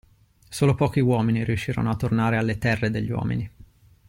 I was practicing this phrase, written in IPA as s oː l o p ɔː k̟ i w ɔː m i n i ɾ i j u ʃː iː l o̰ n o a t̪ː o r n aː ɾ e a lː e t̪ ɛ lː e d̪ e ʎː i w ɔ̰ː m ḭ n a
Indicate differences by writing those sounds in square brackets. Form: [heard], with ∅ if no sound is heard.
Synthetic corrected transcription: s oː l o p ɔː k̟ i w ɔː m i n i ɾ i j u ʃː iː [ɾ] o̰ n o a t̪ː o r n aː ɾ e a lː e t̪ ɛ [rː] e d̪ e ʎː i w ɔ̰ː m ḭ n [i]